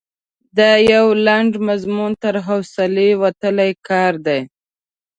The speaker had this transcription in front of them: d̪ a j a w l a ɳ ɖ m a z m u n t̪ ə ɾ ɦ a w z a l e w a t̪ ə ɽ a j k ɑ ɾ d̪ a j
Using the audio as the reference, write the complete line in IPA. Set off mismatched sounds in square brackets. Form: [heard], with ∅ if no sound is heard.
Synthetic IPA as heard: d̪ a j a w l a ɳ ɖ m a z m u n t̪ ə ɾ ɦ a w [s] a l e w a t̪ ə [l] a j k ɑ ɾ d̪ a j